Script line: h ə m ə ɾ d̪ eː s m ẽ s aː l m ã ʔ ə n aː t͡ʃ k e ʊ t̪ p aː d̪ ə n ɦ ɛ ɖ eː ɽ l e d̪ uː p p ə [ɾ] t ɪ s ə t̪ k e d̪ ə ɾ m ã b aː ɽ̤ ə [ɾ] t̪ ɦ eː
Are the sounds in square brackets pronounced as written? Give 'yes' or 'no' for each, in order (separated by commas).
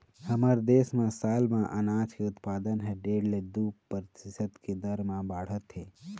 yes, no